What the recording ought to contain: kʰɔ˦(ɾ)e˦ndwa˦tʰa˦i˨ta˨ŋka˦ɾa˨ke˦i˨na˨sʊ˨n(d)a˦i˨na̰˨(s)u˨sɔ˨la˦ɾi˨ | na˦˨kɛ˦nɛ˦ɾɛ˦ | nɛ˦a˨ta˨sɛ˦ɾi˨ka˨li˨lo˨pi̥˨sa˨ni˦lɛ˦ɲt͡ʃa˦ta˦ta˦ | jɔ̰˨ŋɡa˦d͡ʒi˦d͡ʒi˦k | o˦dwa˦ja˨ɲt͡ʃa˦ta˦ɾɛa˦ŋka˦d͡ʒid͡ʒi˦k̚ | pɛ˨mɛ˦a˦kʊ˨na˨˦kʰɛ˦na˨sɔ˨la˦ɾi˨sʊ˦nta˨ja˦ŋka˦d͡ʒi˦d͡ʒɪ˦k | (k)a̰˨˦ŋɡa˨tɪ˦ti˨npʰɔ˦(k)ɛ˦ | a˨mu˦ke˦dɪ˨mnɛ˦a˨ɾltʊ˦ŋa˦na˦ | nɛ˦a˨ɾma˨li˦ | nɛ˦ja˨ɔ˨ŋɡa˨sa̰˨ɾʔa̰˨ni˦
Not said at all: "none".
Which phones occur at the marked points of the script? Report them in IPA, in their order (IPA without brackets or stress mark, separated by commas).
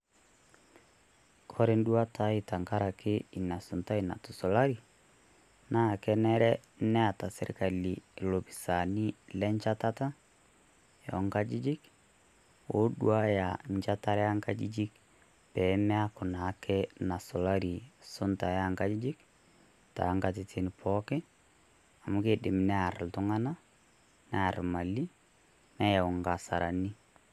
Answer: ɾ, t, t, t, k